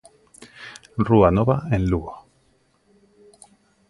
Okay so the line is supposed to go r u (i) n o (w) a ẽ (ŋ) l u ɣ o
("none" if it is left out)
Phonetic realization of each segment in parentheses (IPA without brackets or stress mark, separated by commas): a, β, n